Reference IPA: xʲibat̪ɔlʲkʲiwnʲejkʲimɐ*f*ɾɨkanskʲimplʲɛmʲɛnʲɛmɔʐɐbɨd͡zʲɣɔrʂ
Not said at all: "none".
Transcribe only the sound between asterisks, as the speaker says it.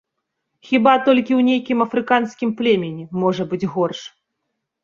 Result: f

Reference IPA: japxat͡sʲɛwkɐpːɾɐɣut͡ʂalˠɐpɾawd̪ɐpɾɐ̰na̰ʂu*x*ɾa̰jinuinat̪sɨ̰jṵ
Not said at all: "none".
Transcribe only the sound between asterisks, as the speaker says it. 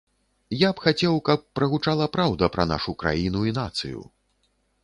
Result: k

